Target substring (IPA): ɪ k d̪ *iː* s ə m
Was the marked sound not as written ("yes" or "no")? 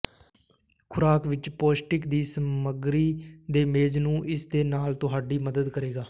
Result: no